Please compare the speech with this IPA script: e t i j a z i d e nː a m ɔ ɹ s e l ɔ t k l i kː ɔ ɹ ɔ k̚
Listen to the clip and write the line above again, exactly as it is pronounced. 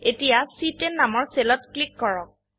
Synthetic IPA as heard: e t i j a s i t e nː a m ɔ ɹ s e l ɔ t k l i kː ɔ ɹ ɔ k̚